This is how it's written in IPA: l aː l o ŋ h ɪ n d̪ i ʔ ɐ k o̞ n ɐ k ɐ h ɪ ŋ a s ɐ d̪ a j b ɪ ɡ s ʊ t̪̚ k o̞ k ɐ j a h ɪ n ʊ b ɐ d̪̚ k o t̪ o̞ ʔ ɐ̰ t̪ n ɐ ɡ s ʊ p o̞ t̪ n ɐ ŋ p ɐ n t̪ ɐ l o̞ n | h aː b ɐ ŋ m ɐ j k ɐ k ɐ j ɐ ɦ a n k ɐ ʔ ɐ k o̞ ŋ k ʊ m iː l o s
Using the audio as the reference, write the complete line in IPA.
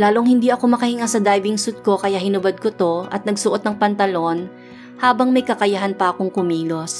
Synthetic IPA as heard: l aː l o ŋ h ɪ n d̪ i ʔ ɐ k o̞ m ɐ k ɐ h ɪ ŋ a s ɐ d̪ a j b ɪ ŋ s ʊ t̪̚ k o̞ k ɐ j a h ɪ n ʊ b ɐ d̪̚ k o t̪ o̞ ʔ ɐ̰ t̪ n ɐ ɡ s ʊ ʔ o̞ t̪ n ɐ ŋ p ɐ n t̪ ɐ l o̞ n | h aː b ɐ ŋ m ɐ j k ɐ k ɐ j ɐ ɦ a n p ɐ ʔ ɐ k o̞ ŋ k ʊ m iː l o s